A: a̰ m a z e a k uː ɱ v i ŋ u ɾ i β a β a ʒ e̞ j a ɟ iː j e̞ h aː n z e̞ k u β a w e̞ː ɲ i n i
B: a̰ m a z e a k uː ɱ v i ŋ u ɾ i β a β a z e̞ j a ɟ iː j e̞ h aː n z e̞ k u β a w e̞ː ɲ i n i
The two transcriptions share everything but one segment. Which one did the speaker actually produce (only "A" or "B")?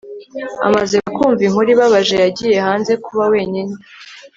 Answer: A